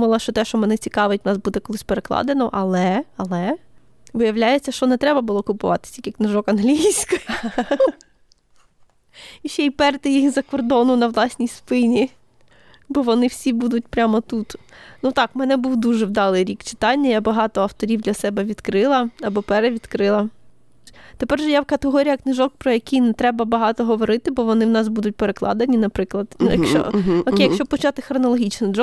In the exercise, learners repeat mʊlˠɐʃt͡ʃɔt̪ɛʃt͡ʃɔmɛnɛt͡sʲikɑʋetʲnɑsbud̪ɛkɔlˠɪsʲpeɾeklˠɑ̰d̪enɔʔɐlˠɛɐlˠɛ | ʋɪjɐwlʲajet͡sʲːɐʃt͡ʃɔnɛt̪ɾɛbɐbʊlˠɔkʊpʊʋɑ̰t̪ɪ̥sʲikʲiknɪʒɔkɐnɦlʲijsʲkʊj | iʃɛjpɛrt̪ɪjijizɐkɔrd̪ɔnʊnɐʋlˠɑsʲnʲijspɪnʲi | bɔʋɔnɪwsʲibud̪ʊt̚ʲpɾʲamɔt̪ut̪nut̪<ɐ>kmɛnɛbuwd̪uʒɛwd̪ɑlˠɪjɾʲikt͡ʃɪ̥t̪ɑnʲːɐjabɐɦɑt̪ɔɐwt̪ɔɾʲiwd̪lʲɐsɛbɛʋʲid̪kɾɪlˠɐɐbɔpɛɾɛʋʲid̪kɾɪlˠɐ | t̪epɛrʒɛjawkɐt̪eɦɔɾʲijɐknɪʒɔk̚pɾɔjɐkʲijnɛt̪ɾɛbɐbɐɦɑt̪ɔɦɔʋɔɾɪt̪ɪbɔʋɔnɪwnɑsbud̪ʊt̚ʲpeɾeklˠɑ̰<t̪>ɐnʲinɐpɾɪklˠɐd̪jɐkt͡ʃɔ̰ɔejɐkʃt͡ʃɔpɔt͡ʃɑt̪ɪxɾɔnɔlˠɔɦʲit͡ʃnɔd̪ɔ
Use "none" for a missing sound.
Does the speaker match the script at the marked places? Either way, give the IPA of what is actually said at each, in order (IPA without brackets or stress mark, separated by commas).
ɑ, d̪